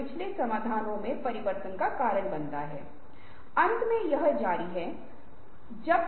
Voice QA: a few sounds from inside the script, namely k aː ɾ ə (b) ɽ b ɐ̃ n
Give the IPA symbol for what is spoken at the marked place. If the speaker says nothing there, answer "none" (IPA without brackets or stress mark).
none